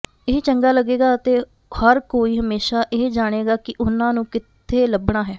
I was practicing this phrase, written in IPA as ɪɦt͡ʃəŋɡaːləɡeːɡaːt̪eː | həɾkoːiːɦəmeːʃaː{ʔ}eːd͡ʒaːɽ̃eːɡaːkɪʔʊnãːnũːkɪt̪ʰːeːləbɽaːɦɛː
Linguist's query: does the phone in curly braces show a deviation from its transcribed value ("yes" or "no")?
no